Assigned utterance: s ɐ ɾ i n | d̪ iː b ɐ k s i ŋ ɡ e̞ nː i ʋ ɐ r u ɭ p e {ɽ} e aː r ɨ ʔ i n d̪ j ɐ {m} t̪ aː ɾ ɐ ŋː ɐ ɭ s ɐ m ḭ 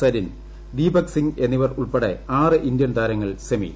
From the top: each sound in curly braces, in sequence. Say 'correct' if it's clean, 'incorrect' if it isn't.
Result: correct, incorrect

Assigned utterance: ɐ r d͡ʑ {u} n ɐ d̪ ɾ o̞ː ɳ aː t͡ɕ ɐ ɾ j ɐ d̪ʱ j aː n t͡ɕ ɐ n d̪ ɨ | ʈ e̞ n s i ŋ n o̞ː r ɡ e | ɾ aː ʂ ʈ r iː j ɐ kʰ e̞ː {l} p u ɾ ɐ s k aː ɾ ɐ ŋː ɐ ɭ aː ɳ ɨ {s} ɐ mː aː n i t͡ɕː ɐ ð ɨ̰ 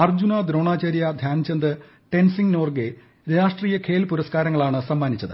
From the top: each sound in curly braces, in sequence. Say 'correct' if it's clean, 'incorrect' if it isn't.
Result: correct, correct, correct

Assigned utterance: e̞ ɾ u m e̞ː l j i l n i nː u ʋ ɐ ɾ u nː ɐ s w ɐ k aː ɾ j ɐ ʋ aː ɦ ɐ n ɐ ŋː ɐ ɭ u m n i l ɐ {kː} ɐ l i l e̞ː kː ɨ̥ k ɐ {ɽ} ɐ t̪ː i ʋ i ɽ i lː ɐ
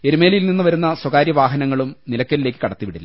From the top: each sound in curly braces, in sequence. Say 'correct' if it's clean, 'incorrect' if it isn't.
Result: correct, correct

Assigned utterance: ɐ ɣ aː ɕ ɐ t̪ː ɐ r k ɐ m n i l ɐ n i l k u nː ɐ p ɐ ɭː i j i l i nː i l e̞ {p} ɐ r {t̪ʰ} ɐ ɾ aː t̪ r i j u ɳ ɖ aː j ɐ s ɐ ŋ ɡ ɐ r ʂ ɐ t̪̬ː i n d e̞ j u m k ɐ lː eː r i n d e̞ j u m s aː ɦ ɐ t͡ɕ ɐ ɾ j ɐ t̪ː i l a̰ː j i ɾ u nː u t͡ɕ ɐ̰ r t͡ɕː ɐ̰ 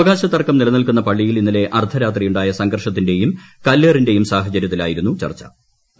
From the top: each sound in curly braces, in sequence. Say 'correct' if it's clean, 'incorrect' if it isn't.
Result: incorrect, correct

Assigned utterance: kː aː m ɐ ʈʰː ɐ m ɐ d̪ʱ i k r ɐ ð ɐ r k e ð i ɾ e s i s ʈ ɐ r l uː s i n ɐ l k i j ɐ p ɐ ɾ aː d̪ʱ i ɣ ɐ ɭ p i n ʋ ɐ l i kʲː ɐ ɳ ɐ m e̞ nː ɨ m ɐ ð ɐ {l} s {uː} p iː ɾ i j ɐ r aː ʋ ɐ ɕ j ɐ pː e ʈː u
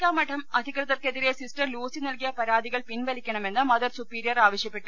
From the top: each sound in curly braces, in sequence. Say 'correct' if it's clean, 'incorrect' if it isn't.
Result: incorrect, incorrect

